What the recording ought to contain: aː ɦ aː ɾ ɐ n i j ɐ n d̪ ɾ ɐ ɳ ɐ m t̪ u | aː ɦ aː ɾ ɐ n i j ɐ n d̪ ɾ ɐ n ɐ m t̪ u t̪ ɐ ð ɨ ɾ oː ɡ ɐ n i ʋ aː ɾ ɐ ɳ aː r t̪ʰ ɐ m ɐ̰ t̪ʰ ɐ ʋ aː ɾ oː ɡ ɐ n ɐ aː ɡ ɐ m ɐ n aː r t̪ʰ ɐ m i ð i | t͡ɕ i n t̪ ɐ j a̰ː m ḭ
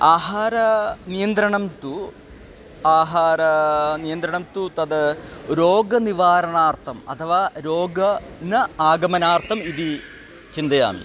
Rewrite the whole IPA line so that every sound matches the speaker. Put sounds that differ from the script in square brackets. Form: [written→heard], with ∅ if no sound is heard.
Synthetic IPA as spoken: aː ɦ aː ɾ ɐ n i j ɐ n d̪ ɾ ɐ ɳ ɐ m t̪ u | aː ɦ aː ɾ ɐ n i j ɐ n d̪ ɾ ɐ [n→ɳ] ɐ m t̪ u t̪ ɐ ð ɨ ɾ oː ɡ ɐ n i ʋ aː ɾ ɐ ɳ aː r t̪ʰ ɐ m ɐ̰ t̪ʰ ɐ ʋ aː ɾ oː ɡ ɐ n ɐ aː ɡ ɐ m ɐ n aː r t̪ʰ ɐ m i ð i | t͡ɕ i n [t̪→d̪] ɐ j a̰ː m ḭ